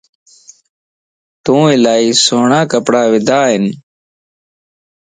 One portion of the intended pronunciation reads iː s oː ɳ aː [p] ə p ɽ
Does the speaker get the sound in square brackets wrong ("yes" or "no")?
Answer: yes